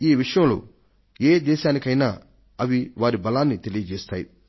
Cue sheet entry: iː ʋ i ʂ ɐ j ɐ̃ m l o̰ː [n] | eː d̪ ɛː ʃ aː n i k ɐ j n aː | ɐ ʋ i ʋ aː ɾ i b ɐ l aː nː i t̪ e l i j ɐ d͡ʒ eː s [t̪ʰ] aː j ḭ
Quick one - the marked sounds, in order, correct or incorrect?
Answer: incorrect, incorrect

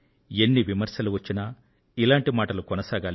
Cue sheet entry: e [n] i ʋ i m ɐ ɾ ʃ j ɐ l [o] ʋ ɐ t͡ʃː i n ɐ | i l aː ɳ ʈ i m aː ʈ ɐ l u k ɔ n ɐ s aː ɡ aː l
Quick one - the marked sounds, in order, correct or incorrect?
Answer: incorrect, incorrect

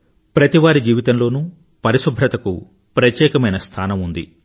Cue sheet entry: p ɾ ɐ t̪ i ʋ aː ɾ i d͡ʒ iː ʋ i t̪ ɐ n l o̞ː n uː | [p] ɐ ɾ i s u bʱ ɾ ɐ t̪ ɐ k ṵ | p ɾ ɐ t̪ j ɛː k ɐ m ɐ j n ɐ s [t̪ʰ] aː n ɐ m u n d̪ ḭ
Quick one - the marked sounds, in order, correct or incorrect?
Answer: correct, correct

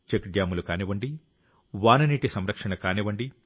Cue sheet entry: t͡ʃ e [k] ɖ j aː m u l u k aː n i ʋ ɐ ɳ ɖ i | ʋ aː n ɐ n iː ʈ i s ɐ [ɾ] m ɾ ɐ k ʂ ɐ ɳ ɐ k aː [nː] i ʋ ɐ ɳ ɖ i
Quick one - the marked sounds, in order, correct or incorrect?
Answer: correct, incorrect, incorrect

